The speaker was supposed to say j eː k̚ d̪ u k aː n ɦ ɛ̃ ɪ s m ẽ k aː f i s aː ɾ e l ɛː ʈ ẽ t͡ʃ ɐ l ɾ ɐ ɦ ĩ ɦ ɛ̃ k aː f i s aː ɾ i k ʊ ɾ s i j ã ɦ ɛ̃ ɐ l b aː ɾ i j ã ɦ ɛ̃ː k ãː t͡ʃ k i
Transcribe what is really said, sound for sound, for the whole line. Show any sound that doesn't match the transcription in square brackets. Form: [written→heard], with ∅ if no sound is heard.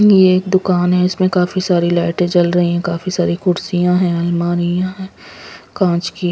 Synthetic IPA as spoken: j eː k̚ d̪ [u→ʊ] k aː n ɦ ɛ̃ ɪ s m ẽ k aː f i s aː ɾ [e→i] l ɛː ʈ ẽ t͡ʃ ɐ l ɾ ɐ ɦ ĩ ɦ ɛ̃ k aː f i s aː ɾ i k ʊ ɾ s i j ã ɦ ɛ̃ ɐ l [b→m] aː ɾ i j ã ɦ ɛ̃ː k ãː t͡ʃ k i